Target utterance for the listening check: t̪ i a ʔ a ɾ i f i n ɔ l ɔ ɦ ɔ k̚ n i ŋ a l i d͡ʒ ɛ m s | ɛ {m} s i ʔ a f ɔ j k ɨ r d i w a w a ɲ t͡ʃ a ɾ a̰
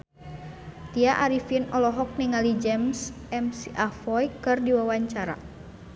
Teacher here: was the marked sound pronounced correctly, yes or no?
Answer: yes